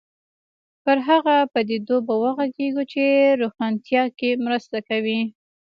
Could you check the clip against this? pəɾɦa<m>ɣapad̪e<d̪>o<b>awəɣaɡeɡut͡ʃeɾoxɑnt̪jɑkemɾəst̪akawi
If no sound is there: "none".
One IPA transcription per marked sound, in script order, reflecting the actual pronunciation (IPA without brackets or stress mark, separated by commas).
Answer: none, d̪, b